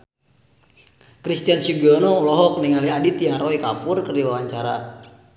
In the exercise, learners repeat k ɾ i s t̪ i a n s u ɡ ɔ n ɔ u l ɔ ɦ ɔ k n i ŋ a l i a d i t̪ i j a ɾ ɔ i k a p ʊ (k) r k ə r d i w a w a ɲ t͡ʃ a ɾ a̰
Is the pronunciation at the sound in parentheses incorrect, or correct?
incorrect: none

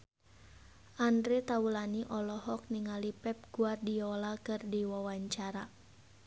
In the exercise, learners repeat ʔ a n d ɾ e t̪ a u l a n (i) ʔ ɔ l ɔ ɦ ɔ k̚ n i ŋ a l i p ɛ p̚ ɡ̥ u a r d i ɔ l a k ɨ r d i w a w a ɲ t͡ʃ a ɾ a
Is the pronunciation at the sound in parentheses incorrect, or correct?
correct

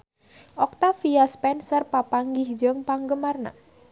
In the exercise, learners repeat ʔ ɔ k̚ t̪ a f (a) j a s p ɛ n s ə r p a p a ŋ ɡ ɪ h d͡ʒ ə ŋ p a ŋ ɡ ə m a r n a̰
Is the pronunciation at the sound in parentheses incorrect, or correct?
incorrect: i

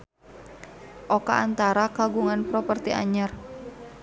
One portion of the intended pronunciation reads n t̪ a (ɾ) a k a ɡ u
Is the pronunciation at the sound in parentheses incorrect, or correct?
correct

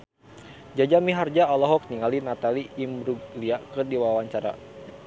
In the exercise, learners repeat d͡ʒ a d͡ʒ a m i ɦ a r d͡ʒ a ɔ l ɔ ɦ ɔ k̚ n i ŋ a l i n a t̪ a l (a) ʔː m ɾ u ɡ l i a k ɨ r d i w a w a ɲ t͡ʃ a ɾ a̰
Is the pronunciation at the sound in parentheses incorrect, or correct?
incorrect: i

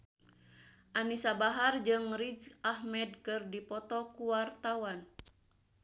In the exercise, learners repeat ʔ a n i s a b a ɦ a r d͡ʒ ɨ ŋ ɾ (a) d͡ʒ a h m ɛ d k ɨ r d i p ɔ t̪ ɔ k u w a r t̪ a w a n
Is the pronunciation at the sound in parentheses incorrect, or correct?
incorrect: i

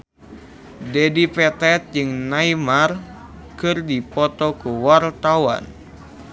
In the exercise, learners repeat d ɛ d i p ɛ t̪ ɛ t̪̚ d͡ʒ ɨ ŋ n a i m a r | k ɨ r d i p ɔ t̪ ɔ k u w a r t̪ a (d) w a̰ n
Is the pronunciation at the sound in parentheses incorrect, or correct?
incorrect: none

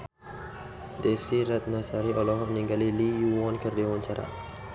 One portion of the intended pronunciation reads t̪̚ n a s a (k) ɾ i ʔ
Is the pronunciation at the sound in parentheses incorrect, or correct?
incorrect: none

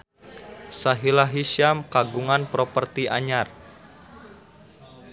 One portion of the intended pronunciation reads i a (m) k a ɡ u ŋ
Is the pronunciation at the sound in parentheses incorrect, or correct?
correct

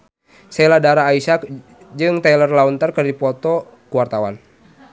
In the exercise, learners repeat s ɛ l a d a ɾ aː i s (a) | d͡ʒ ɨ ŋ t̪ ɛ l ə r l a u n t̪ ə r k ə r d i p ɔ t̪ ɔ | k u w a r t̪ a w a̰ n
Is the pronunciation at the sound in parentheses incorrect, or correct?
correct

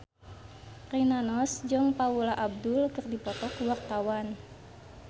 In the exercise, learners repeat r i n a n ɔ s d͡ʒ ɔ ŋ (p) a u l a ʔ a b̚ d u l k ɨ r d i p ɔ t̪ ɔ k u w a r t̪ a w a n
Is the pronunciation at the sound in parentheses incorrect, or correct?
correct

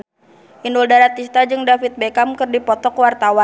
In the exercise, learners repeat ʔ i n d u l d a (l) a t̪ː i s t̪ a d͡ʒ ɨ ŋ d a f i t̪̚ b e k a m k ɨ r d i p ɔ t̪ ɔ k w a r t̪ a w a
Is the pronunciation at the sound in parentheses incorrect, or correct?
incorrect: ɾ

